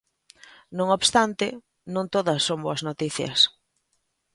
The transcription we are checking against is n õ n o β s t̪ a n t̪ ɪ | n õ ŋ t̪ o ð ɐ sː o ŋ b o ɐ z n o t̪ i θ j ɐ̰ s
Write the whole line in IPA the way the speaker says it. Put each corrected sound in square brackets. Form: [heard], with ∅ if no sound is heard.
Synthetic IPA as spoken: n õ [ŋ] o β s t̪ a n t̪ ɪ | n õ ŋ t̪ o ð ɐ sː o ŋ b o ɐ z n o t̪ i θ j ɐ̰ s